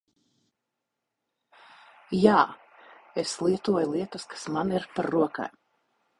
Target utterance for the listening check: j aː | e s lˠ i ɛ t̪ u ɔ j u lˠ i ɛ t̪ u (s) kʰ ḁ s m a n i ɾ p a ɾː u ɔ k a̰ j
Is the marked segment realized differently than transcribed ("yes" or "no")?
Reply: no